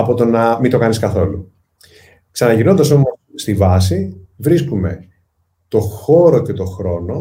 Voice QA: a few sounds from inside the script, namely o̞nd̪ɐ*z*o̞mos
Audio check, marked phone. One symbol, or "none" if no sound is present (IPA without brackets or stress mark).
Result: s